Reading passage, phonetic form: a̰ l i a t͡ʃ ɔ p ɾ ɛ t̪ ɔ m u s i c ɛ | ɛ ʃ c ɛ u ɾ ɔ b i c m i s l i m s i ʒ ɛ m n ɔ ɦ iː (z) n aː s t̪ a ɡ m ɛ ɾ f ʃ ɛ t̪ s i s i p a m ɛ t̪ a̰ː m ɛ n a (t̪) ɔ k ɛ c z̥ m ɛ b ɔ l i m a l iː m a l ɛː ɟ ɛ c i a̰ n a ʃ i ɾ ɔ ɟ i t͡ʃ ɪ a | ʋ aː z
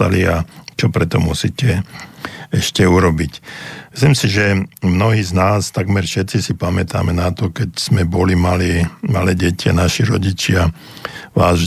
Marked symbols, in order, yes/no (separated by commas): yes, yes